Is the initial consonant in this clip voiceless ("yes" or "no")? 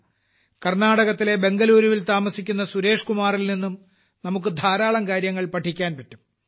yes